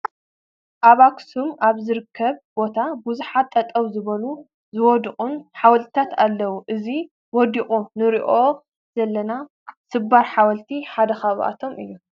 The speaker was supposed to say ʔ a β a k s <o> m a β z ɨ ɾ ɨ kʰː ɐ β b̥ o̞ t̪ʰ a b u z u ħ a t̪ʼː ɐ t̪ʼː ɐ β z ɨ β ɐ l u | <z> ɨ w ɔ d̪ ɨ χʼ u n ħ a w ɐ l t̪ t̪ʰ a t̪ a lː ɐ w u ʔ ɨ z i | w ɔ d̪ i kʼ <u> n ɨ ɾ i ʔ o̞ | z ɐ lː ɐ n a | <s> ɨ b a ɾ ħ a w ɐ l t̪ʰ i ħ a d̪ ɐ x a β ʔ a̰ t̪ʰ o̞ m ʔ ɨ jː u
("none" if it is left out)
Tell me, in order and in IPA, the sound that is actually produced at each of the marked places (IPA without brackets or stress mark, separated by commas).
u, z, u, s